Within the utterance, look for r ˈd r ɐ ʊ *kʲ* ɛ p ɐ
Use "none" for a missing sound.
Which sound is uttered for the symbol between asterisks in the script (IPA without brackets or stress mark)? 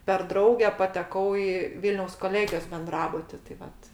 ɡʲ